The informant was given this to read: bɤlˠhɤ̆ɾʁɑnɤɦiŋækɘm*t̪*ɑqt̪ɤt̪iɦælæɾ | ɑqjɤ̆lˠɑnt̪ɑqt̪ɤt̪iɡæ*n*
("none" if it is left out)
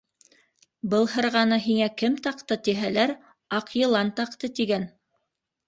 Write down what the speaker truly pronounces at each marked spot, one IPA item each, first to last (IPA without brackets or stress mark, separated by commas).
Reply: t̪, n